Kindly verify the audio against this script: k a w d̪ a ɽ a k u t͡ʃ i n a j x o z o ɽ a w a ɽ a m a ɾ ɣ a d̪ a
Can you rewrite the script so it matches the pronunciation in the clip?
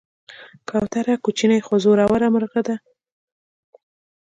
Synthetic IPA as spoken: k a w t̪ a ɾ a k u t͡ʃ i n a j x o z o ɾ a w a ɾ a m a ɾ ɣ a d̪ a